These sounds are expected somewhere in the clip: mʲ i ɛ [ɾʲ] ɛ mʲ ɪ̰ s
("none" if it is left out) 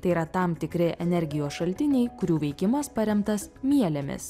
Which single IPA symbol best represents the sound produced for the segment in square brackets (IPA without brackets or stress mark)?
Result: lʲ